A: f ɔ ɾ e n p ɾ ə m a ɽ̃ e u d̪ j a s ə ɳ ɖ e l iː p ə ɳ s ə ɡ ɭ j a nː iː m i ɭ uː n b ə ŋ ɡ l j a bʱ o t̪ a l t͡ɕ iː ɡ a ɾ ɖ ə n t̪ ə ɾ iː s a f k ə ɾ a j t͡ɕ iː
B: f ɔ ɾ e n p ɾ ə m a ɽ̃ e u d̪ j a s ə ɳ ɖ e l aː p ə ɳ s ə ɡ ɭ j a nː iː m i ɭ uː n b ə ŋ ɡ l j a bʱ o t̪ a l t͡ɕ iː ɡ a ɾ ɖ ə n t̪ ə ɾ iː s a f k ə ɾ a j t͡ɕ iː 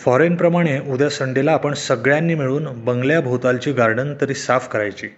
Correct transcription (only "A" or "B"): B